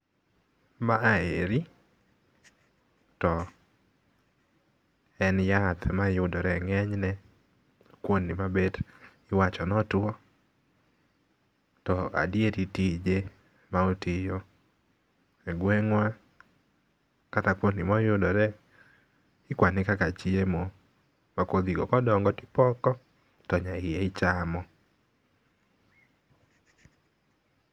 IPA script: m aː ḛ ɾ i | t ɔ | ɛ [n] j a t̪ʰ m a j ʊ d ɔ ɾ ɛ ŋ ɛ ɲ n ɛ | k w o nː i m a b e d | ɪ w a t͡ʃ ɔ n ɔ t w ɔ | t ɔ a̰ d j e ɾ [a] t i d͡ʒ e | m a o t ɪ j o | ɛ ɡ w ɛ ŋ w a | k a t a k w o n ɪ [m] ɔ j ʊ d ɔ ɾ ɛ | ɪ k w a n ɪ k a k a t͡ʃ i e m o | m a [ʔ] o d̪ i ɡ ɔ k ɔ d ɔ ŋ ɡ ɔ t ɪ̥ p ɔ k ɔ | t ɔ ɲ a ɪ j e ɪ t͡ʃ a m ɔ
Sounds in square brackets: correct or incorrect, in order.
correct, incorrect: i, correct, incorrect: k

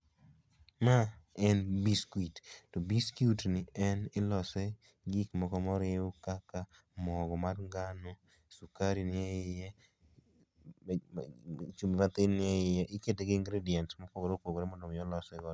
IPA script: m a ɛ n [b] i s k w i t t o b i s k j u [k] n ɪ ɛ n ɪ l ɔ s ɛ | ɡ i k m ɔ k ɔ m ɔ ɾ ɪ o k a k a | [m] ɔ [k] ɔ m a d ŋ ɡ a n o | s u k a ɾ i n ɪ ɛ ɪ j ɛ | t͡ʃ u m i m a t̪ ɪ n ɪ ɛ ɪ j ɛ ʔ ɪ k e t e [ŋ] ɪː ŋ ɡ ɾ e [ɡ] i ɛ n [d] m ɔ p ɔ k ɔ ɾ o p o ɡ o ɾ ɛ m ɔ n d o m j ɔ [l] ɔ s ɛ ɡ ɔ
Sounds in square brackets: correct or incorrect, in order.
correct, incorrect: t, correct, incorrect: ɡ, incorrect: ɡ, incorrect: d, incorrect: t, correct

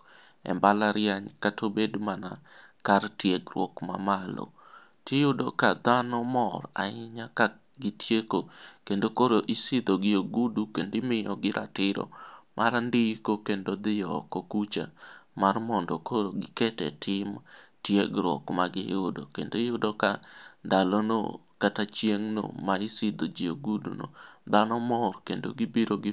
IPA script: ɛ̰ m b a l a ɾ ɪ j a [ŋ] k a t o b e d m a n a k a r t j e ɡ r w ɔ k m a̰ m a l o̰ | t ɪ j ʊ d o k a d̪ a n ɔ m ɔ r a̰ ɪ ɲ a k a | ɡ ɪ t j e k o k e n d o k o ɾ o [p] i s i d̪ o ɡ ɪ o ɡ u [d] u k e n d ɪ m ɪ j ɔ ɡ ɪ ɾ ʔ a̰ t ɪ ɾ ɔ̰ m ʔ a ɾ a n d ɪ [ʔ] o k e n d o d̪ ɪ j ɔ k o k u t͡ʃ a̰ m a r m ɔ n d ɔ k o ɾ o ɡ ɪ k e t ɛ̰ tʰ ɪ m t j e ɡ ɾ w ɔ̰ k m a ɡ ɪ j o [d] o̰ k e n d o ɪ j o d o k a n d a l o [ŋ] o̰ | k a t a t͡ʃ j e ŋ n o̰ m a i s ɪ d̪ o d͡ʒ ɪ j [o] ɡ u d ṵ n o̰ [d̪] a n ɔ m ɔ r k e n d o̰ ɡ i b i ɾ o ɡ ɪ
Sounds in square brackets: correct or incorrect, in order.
incorrect: ɲ, incorrect: ʔ, correct, incorrect: k, correct, incorrect: n, correct, correct

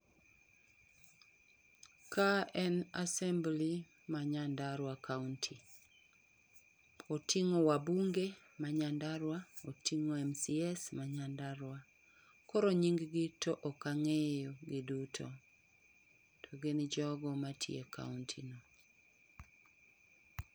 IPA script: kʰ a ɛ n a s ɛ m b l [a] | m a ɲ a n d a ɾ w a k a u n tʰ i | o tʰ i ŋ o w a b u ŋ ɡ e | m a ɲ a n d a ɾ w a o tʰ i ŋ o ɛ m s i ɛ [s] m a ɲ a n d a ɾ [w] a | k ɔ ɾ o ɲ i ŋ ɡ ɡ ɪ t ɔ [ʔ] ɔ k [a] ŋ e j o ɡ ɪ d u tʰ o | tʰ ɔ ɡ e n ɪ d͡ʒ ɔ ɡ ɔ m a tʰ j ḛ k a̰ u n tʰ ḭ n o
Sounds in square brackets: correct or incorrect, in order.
incorrect: i, correct, correct, correct, correct

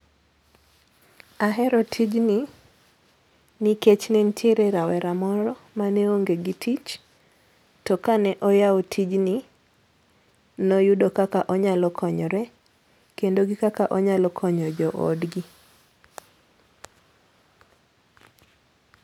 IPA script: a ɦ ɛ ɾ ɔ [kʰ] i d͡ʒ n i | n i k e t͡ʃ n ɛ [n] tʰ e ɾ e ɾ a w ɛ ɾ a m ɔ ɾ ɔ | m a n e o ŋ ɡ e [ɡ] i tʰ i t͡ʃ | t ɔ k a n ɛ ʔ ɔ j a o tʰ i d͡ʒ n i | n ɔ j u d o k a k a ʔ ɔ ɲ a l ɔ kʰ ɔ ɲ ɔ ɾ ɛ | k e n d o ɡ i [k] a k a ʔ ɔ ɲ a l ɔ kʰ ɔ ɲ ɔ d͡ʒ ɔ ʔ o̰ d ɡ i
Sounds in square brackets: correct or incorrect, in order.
incorrect: tʰ, correct, correct, correct

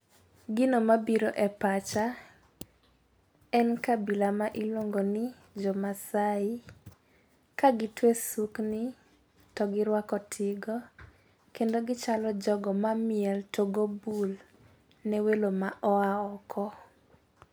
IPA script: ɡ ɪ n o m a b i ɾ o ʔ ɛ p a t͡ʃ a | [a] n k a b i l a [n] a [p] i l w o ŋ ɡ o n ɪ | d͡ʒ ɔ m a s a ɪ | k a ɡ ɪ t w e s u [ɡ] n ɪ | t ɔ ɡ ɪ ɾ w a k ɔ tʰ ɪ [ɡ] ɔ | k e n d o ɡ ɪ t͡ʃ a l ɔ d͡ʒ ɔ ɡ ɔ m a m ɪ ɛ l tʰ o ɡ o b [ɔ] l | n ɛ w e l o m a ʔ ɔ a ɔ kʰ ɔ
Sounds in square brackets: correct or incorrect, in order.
incorrect: ɛ, incorrect: m, incorrect: ʔ, incorrect: k, correct, incorrect: u

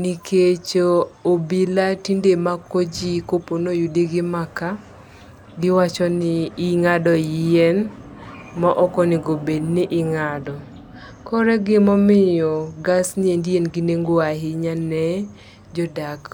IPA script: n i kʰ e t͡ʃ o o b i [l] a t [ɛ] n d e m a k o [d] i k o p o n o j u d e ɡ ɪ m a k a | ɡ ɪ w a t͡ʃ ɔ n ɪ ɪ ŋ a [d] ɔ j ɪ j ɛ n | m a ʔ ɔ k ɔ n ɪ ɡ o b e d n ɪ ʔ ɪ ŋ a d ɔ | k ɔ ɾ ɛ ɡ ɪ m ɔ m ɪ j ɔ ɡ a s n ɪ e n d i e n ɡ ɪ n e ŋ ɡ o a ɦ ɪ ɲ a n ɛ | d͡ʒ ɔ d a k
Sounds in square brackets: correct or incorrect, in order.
correct, incorrect: i, incorrect: d͡ʒ, correct

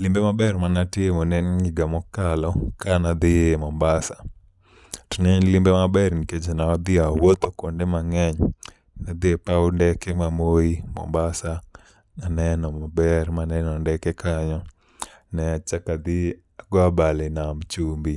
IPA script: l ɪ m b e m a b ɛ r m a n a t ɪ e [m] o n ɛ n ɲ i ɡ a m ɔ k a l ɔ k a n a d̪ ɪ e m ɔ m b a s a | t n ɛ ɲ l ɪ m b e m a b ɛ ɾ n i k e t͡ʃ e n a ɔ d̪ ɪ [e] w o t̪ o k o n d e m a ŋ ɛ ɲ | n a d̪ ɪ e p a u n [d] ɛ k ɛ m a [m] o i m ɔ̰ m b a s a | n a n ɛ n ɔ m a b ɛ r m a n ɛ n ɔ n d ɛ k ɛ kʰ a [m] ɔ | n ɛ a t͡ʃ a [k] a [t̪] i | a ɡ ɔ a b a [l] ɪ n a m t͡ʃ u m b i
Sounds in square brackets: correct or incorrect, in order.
correct, incorrect: a, correct, correct, incorrect: ɲ, correct, incorrect: d̪, correct

